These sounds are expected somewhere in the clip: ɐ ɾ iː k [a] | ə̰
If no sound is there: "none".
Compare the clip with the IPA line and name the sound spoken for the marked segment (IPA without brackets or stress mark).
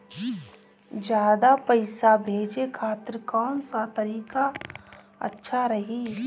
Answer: a